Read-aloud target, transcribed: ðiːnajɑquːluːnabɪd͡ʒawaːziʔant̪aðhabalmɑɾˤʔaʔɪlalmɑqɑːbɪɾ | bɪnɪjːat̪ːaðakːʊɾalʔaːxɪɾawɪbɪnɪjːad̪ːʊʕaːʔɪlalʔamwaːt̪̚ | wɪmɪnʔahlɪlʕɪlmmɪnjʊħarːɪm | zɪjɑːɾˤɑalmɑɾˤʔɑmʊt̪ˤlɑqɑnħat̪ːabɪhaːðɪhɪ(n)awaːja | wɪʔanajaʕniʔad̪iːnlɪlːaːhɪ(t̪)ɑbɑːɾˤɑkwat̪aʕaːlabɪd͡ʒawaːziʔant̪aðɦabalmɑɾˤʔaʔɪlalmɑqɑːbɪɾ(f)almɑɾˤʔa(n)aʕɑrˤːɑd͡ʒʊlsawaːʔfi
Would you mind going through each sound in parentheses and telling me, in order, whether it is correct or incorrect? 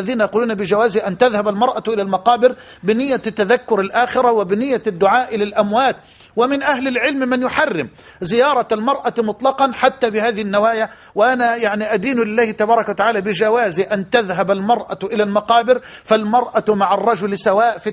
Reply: incorrect: nː, correct, correct, incorrect: m

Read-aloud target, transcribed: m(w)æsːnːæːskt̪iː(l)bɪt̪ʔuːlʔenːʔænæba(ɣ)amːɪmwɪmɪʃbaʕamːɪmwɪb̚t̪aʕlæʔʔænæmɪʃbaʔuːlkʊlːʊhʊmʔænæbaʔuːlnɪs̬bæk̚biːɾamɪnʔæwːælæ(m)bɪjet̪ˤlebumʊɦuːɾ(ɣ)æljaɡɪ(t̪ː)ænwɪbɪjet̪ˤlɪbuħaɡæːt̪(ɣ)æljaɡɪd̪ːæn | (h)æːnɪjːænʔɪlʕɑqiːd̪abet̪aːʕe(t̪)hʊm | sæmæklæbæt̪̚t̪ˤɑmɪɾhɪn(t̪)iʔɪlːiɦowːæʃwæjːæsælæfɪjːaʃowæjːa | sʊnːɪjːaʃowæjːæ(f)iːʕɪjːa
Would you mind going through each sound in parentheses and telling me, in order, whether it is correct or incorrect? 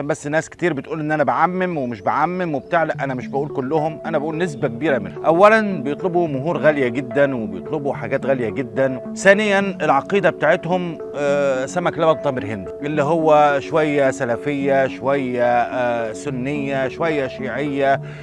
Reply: incorrect: b, incorrect: ɾ, incorrect: ʕ, incorrect: n, correct, incorrect: d̪ː, correct, incorrect: θ, correct, incorrect: d̪, incorrect: ʃ

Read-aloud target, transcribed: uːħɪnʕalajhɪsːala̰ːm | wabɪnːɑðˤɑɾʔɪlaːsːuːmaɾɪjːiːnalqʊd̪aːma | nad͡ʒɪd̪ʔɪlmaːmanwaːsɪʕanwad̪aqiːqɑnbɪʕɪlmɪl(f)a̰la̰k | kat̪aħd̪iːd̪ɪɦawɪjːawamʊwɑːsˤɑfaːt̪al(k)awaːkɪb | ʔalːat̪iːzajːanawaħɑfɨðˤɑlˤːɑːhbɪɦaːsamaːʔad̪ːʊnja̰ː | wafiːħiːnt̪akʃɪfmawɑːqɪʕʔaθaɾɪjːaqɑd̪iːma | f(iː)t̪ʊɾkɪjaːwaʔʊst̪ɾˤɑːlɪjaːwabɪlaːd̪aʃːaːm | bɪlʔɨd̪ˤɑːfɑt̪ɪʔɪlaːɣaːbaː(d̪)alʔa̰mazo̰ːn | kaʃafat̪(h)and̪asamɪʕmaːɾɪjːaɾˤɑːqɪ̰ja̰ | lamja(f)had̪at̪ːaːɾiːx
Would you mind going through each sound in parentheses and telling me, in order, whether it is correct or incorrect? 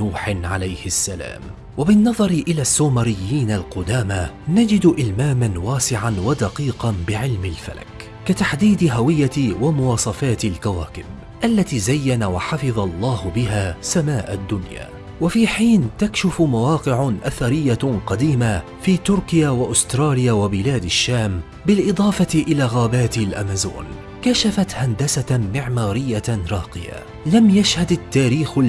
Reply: correct, correct, correct, incorrect: t̪, correct, incorrect: ʃ

